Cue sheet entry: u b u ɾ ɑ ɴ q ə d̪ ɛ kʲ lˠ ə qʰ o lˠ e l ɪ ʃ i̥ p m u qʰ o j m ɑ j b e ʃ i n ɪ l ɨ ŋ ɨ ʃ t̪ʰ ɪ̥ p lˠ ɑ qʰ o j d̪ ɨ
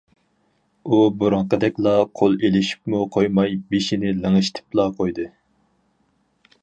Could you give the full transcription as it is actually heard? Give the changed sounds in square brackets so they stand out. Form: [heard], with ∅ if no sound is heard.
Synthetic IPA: u b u ɾ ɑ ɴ q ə d̪ ɛ kʲ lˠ [ɑ] qʰ o lˠ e l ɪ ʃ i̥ p m u qʰ o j m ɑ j b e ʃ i n ɪ l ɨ ŋ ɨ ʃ t̪ʰ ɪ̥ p lˠ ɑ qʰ o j d̪ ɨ